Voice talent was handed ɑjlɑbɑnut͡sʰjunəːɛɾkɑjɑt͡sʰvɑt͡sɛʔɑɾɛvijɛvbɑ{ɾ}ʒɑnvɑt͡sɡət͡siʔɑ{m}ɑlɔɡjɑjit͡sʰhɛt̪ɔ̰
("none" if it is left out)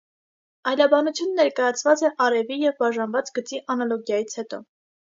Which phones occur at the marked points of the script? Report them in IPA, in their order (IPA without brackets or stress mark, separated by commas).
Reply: none, n